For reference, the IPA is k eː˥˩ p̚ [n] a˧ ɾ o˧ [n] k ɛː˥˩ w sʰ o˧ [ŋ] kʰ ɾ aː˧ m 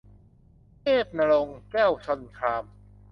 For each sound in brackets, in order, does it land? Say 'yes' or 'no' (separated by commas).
yes, no, no